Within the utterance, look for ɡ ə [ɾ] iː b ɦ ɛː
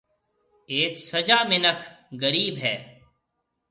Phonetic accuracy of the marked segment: correct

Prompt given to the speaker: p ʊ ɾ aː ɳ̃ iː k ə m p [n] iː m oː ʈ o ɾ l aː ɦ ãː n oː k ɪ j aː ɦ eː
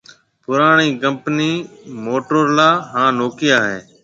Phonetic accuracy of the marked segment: correct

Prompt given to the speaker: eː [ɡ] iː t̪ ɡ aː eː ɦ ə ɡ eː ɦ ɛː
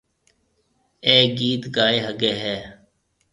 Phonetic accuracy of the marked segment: correct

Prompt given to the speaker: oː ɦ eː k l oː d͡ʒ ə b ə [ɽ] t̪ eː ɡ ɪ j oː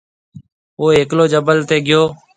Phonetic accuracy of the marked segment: incorrect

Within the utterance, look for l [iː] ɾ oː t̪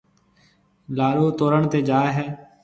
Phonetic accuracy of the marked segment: incorrect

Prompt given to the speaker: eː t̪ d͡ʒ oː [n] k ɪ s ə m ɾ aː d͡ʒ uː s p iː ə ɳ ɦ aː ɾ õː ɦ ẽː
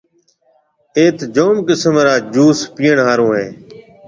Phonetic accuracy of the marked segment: incorrect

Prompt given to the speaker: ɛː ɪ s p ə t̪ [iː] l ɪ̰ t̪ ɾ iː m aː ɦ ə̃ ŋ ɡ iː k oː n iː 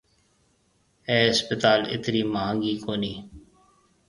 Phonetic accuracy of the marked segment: incorrect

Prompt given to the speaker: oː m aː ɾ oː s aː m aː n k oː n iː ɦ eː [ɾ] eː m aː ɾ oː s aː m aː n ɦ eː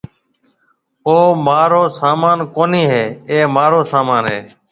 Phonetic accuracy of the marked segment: incorrect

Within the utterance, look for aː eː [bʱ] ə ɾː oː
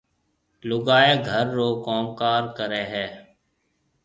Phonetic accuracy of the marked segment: incorrect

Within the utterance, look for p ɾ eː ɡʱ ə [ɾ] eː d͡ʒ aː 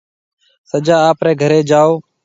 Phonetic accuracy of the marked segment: correct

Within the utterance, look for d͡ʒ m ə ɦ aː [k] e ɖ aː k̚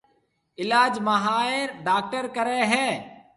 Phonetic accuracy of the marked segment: incorrect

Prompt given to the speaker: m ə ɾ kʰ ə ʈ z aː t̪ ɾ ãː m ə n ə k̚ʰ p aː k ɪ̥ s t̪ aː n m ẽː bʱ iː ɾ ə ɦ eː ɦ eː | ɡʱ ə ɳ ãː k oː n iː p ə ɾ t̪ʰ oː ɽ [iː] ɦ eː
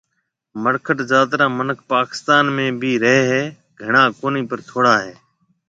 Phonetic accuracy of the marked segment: incorrect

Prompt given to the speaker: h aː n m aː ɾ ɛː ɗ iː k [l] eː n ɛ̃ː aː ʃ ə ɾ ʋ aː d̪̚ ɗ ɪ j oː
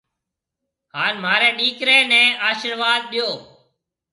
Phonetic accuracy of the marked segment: incorrect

